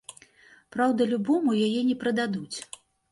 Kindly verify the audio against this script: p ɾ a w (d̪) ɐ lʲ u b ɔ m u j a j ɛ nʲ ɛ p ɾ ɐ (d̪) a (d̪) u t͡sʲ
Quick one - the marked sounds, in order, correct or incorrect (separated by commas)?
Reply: correct, correct, correct